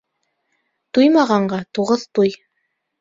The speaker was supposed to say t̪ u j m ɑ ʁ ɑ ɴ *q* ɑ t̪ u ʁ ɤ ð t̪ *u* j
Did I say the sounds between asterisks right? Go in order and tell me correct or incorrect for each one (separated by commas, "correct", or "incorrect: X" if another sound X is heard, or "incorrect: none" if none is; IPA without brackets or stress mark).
incorrect: ɢ, correct